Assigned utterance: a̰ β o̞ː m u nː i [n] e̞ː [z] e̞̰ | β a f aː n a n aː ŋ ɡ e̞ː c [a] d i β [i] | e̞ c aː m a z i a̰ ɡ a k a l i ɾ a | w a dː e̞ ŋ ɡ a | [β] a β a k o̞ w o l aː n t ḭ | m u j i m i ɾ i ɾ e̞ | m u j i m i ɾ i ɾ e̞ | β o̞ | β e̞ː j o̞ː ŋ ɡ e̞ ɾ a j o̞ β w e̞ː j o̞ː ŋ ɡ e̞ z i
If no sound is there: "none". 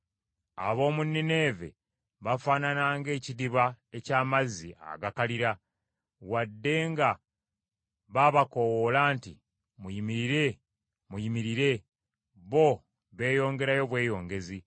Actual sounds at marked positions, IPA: n, v, i, a, β

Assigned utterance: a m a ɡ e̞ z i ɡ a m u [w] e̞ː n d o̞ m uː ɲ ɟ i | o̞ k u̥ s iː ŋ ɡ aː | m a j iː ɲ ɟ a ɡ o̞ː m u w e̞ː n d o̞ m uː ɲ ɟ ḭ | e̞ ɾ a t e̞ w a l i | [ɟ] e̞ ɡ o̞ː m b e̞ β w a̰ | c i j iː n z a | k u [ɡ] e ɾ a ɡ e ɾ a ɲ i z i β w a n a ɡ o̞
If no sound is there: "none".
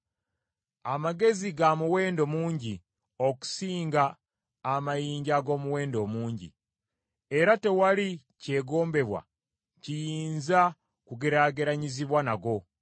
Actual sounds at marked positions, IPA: w, c, ɡ

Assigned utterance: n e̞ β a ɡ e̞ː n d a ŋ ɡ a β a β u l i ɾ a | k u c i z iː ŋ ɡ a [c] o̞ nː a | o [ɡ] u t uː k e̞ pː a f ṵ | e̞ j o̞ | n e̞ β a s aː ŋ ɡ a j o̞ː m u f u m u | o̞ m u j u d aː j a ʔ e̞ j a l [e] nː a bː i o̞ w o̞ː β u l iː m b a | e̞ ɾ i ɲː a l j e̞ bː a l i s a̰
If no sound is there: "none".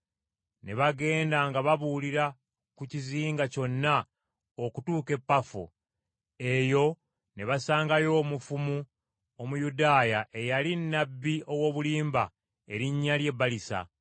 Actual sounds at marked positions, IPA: c, k, i

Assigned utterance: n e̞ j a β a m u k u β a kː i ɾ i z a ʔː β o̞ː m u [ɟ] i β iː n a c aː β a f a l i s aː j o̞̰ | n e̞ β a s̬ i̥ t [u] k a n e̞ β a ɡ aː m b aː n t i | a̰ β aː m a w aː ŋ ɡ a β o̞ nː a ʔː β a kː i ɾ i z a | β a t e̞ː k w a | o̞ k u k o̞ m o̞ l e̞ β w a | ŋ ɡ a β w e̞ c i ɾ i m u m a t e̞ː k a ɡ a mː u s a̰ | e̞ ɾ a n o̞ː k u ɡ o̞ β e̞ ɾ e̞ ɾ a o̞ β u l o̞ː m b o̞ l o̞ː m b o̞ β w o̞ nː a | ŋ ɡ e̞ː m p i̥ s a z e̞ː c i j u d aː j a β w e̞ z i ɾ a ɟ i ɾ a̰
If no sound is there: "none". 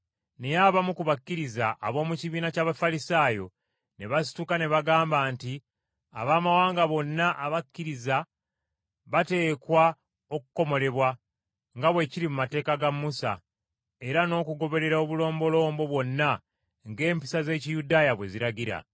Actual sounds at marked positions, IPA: c, u

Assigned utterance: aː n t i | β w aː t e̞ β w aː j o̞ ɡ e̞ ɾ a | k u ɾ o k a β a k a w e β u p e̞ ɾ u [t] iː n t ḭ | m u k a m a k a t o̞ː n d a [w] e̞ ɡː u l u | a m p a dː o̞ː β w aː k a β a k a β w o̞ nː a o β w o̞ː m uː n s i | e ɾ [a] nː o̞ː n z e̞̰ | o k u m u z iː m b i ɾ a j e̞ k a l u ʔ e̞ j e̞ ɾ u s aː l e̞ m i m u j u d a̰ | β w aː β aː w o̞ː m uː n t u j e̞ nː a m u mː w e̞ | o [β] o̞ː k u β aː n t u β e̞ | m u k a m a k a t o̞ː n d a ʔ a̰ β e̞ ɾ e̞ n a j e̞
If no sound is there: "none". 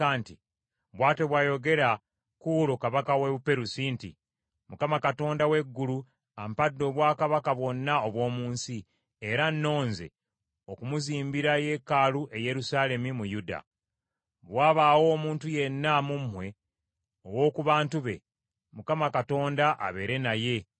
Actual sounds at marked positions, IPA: s, w, a, w

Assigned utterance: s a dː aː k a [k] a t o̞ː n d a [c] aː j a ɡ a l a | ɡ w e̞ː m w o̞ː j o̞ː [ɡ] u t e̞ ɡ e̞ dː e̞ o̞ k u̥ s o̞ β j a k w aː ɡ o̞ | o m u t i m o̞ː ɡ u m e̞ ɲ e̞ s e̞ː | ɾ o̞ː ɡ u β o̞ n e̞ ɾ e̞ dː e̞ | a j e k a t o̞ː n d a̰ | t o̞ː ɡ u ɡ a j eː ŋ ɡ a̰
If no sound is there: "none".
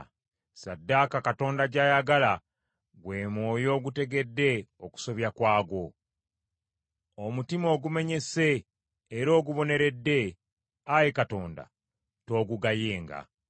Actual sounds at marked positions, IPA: k, ɟ, ɡ

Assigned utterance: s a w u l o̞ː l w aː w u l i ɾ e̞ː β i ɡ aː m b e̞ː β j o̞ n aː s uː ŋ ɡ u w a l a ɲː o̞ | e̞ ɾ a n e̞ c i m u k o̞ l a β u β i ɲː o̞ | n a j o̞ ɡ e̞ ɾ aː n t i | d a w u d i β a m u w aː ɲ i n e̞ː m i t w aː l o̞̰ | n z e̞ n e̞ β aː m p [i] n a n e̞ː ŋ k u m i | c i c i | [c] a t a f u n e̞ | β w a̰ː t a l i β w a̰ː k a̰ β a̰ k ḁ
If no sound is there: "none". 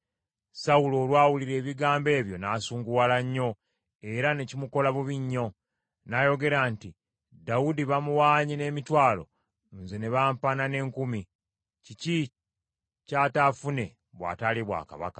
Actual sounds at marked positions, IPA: a, c

